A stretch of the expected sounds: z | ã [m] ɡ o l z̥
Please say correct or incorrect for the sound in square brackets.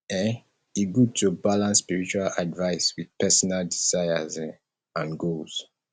incorrect